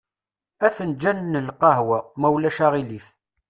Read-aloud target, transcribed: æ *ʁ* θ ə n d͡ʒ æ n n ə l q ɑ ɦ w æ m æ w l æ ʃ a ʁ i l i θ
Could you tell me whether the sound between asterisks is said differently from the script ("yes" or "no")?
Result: yes